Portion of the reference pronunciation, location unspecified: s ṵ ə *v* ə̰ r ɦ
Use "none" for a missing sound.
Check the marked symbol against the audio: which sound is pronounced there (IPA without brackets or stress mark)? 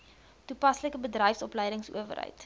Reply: v